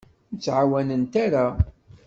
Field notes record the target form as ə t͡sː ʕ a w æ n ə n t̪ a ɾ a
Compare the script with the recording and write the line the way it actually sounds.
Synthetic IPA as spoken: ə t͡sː ʕ a w æ n ə n t̪ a ɾ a

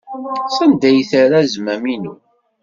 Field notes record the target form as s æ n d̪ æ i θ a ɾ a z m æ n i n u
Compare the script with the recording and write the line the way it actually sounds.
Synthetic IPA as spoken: s æ n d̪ æ j θ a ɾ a z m æ m i n u

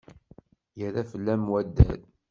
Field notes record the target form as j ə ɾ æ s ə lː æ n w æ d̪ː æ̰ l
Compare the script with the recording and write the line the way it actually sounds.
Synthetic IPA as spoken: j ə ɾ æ f ə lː æ m w æ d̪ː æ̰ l

